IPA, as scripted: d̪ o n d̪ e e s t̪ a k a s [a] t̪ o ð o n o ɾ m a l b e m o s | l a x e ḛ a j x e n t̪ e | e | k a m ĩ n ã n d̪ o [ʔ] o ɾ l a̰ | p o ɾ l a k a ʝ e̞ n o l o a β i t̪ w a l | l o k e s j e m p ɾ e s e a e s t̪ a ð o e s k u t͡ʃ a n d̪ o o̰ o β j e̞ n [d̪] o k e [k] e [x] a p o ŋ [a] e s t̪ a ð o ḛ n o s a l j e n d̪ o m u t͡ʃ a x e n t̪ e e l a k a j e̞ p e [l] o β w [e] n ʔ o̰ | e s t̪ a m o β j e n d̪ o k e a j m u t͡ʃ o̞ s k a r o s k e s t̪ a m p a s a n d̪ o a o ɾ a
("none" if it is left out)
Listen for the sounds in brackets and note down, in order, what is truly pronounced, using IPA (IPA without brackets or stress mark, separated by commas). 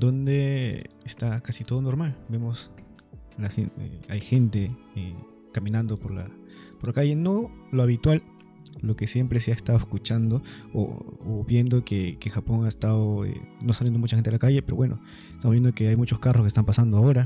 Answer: i, p, d̪, k, x, a, ɾ, e